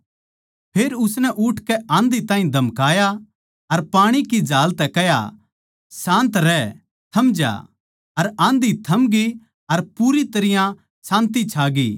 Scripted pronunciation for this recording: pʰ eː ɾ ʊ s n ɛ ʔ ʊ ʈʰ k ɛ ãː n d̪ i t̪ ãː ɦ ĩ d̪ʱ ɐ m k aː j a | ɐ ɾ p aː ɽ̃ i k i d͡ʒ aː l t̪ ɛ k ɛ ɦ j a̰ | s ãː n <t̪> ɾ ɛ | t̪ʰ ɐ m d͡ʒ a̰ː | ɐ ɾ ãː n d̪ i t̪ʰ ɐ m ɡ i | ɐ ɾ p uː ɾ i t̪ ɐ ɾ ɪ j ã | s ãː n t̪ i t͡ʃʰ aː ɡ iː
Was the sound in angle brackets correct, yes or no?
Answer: yes